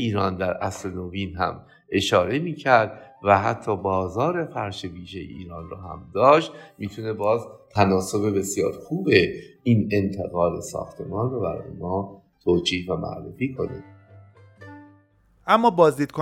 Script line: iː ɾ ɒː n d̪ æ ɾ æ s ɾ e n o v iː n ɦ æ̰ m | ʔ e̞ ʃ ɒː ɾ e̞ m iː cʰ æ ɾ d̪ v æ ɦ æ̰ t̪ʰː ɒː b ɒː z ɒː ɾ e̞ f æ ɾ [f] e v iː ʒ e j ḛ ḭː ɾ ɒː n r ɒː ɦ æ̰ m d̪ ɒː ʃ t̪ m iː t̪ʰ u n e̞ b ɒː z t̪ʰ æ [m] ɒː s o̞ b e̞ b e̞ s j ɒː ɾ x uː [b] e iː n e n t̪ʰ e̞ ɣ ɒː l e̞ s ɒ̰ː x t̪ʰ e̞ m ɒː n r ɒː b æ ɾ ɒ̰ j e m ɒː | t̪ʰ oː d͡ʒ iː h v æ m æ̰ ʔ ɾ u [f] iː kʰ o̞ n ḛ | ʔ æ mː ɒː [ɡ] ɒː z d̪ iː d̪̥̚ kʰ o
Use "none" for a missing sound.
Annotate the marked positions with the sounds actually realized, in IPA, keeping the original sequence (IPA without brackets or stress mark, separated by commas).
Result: ʃ, n, b, f, b